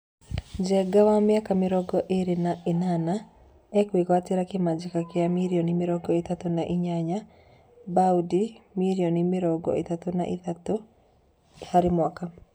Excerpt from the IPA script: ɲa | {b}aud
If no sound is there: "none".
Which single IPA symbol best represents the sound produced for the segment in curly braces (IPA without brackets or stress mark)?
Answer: b